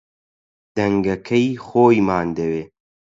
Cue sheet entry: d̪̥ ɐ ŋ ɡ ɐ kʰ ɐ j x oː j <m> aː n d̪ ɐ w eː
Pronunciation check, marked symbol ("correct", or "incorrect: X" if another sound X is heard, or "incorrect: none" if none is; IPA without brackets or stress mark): correct